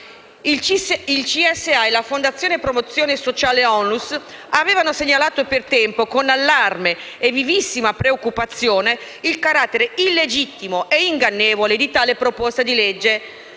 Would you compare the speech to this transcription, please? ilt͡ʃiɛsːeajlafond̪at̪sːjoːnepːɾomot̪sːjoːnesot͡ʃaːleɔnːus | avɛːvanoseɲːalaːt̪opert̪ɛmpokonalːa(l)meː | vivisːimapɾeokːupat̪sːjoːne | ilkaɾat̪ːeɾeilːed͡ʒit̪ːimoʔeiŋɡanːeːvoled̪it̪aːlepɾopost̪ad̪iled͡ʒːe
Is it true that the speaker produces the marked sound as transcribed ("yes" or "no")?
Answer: no